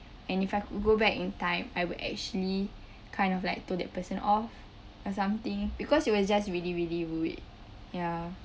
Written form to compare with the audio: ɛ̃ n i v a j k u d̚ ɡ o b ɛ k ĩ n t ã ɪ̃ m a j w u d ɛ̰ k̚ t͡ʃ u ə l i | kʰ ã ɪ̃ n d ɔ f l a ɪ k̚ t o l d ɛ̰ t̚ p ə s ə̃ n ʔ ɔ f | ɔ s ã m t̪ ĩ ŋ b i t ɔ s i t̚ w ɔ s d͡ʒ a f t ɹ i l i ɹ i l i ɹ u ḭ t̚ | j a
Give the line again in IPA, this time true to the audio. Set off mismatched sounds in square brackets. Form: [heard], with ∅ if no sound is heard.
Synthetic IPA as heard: ɛ̃ n i [f] a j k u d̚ ɡ o b ɛ k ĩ n t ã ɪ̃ m a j w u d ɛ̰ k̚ t͡ʃ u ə l i | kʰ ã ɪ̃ n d ɔ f l a ɪ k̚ t o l d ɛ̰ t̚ p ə s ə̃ n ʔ ɔ f | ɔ s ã m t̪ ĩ ŋ b i [k] ɔ s i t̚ w ɔ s d͡ʒ a [s] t ɹ i l i ɹ i l i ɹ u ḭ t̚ | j a